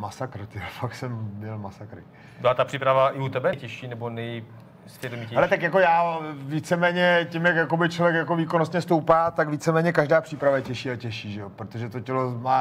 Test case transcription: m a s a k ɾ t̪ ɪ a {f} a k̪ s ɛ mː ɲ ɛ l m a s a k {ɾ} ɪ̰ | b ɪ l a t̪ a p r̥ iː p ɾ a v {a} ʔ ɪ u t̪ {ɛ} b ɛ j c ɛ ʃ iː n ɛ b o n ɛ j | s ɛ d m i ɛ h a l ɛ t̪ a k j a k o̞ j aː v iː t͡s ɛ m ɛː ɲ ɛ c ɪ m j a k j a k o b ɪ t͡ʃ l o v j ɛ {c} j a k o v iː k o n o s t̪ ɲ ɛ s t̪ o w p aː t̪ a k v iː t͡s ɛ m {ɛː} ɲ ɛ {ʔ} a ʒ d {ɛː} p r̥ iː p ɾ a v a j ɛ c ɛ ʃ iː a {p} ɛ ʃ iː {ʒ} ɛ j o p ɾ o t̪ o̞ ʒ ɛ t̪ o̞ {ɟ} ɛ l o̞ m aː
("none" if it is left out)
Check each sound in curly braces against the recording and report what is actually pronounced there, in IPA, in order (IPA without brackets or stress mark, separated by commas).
f, ɾ, a, ɛ, k, ɛː, k, aː, c, ʒ, c